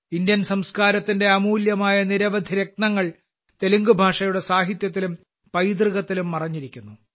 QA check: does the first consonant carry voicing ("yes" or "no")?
yes